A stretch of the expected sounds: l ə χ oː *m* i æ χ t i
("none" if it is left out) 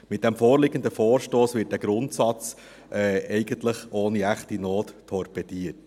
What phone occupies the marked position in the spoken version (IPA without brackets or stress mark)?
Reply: n